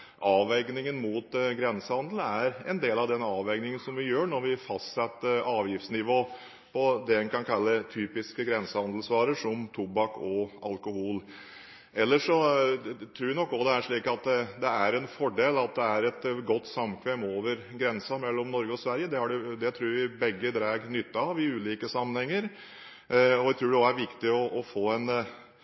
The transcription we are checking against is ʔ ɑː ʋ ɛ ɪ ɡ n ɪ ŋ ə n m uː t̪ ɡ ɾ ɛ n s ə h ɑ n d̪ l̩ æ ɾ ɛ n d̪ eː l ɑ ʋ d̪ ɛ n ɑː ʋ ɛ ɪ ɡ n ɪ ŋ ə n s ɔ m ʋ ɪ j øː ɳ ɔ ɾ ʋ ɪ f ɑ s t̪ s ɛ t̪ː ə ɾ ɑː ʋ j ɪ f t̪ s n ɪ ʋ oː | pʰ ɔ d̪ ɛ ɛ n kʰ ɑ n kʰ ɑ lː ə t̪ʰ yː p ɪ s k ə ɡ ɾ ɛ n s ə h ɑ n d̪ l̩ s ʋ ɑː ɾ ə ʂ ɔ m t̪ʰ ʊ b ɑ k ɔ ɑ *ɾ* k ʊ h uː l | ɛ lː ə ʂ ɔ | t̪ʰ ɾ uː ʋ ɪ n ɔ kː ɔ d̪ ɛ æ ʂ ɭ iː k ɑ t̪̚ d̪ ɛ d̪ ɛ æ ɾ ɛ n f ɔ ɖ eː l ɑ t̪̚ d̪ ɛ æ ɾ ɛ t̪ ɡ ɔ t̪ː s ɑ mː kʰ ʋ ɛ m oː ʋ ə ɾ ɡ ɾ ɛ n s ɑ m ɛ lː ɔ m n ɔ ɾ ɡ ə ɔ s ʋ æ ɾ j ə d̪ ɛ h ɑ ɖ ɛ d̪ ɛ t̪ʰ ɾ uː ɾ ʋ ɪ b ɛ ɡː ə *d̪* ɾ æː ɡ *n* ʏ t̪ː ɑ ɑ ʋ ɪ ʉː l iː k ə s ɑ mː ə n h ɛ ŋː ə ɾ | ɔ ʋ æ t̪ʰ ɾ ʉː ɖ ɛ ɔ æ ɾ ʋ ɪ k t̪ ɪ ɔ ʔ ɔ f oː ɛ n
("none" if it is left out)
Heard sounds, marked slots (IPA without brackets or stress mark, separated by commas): l, d̪, n